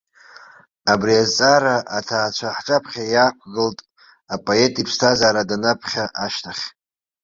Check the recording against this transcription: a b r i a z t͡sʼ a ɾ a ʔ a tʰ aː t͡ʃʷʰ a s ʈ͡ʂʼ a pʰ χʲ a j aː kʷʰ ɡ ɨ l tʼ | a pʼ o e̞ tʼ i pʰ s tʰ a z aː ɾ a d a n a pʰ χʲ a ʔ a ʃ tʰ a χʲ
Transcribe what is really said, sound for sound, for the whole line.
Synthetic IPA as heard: a b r i a z t͡sʼ a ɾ a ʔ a tʰ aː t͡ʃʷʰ a ħ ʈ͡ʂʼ a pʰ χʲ a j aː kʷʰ ɡ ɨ l tʼ | a pʼ o e̞ tʼ i pʰ s tʰ a z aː ɾ a d a n a pʰ χʲ a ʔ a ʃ tʰ a χʲ